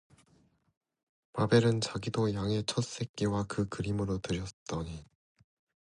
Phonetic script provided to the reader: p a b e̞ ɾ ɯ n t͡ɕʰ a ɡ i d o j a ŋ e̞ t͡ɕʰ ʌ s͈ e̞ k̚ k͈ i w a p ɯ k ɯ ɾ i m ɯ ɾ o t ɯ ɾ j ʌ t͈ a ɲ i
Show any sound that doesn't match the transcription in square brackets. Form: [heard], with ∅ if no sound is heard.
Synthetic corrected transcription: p a b e̞ ɾ ɯ n [t͡ɕ] a ɡ i d o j a ŋ e̞ t͡ɕʰ ʌ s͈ e̞ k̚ k͈ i w a [k] ɯ k ɯ ɾ i m ɯ ɾ o t ɯ ɾ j ʌ t͈ [ʌ] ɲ i